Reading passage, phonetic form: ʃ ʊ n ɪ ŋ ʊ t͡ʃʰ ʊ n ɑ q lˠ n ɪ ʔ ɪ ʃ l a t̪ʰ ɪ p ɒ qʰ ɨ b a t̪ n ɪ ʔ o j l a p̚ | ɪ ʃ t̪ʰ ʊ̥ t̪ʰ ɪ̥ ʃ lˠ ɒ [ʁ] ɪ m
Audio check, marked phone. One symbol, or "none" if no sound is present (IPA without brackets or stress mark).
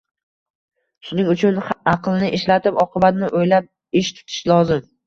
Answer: z